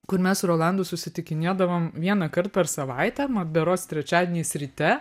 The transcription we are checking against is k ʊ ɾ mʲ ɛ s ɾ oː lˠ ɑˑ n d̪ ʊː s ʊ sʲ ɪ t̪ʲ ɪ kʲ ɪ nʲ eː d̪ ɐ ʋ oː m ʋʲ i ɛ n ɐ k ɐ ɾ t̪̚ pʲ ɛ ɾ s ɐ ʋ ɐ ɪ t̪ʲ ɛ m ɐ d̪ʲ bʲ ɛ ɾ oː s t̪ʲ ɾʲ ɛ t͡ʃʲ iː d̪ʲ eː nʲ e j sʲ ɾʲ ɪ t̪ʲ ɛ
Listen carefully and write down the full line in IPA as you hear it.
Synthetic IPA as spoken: k ʊ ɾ mʲ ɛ s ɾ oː lˠ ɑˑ n d̪ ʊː s ʊ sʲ ɪ t̪ʲ ɪ kʲ ɪ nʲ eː d̪ ɐ ʋ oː m ʋʲ i ɛ n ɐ k ɐ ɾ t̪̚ pʲ ɛ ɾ s ɐ ʋ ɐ ɪ t̪ʲ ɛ m ɐ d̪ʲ bʲ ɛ ɾ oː s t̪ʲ ɾʲ ɛ t͡ʃʲ æː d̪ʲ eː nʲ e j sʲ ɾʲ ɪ t̪ʲ ɛ